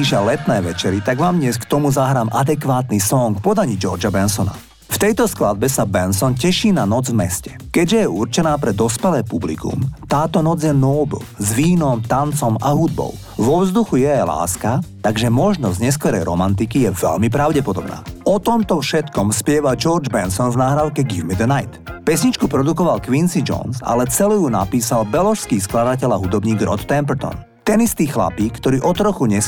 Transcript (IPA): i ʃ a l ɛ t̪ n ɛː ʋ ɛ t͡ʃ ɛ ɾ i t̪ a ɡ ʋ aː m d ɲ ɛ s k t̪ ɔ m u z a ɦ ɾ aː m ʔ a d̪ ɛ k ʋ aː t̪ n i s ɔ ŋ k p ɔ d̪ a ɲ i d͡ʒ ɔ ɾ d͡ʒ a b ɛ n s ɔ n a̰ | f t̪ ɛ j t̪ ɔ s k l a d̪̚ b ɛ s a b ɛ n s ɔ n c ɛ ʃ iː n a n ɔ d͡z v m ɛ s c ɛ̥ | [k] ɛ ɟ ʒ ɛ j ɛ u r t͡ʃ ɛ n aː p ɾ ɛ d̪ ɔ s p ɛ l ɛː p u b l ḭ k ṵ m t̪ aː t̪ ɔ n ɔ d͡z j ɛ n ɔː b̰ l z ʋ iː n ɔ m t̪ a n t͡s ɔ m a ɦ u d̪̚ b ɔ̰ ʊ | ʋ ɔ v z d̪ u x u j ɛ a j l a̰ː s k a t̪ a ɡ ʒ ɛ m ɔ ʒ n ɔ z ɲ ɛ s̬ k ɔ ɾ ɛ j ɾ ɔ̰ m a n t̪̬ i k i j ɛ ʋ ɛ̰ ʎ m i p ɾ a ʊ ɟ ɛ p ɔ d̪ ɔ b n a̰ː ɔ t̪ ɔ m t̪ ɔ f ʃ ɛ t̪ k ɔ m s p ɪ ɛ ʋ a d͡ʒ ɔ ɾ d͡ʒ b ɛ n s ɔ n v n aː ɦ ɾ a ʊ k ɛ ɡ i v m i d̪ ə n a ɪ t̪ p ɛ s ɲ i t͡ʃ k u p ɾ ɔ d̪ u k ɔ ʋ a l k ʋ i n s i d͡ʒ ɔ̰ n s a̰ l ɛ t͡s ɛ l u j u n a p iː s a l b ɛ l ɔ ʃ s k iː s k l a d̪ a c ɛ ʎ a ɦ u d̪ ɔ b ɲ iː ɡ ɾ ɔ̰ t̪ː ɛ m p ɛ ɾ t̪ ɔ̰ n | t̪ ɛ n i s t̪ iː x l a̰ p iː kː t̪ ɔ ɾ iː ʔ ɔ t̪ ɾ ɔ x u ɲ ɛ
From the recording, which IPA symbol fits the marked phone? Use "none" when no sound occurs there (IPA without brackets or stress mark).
k